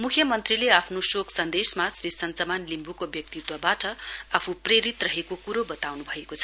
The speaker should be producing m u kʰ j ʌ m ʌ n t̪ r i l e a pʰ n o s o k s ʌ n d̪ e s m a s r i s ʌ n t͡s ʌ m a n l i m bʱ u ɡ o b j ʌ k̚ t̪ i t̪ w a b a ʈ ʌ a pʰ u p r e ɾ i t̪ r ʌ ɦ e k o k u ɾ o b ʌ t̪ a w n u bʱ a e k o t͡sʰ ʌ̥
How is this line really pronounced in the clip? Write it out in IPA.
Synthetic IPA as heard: m u kʰ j ʌ m ʌ n t̪ r i l e a pʰ n o s o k s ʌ n d̪ e s m a s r i s ʌ n t͡s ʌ m a n l i m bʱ u k o b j ʌ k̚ t̪ i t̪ w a b a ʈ ʌ a pʰ u p r e ɾ i t̪ r ʌ ɦ e k o k u ɾ o b ʌ t̪ a w n u bʱ ʌ e k o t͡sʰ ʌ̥